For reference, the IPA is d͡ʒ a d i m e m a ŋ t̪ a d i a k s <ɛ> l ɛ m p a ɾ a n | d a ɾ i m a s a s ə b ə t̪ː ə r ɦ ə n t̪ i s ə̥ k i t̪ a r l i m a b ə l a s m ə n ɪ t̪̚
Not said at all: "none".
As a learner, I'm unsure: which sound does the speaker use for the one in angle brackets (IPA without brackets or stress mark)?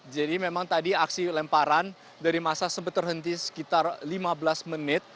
i